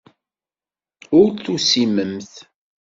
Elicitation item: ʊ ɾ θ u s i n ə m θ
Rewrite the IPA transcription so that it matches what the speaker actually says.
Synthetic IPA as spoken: ʊ ɾ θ u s i m ə m θ